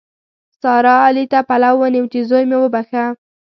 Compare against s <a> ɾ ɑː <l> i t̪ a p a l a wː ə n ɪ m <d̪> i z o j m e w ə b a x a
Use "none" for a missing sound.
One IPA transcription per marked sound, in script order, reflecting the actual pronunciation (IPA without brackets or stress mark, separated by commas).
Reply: ɑ, l, t̪